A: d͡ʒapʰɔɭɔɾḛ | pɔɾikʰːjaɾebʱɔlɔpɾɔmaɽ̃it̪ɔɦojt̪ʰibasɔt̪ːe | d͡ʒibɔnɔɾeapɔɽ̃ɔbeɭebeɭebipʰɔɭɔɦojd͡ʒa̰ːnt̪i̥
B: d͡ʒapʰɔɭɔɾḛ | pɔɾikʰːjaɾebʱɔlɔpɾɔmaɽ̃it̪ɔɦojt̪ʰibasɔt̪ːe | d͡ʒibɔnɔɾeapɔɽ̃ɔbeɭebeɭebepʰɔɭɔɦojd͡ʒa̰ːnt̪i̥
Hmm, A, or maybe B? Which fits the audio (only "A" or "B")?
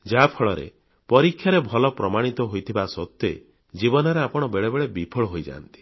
A